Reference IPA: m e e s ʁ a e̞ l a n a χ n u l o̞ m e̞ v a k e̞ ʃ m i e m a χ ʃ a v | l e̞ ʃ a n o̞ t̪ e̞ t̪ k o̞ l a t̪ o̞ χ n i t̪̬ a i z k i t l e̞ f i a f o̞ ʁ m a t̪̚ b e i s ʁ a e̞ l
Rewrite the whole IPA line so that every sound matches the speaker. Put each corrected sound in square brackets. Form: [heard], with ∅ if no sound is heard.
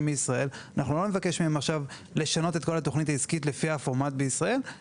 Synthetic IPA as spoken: m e [i] s ʁ a e̞ l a n a χ n u l o̞ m e̞ v a k e̞ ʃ m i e m a χ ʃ a v | l e̞ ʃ a n o̞ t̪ e̞ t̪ k o̞ l a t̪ o̞ χ n i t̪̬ a i z k i t l e̞ f i a f o̞ ʁ m a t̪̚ b e i s ʁ a e̞ l